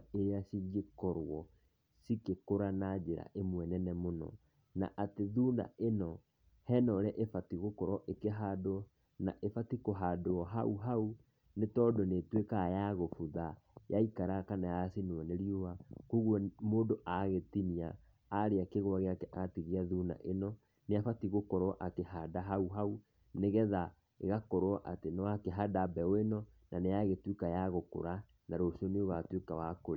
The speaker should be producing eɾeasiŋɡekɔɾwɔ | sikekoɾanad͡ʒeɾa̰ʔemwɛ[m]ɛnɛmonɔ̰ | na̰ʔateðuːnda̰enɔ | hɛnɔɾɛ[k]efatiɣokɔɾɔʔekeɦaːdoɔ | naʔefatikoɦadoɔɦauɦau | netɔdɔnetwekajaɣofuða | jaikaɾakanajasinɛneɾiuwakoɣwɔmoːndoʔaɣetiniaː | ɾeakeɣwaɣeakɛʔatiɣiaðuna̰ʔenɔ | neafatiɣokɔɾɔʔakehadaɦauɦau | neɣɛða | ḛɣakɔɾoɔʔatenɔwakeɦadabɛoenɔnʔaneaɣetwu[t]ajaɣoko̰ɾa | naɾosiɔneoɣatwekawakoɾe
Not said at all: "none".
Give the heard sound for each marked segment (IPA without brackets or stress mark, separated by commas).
n, ʔ, k